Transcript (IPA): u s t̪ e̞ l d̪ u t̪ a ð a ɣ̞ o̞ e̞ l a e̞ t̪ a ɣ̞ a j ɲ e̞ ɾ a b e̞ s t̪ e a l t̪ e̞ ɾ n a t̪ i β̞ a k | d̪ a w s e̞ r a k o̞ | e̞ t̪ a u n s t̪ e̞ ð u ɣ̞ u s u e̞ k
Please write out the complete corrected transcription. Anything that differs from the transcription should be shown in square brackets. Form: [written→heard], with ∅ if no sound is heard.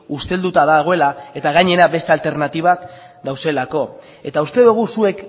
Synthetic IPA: u s t̪ e̞ l d̪ u t̪ a ð a ɣ̞ o̞ e̞ l a e̞ t̪ a ɣ̞ a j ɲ e̞ ɾ a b e̞ s t̪ e a l t̪ e̞ ɾ n a t̪ i β̞ a k | d̪ a w s e̞ [r→l] a k o̞ | e̞ t̪ a u [n→∅] s t̪ e̞ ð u ɣ̞ u s u e̞ k